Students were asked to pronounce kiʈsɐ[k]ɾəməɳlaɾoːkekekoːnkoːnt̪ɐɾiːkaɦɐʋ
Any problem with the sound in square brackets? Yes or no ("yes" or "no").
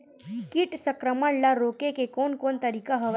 no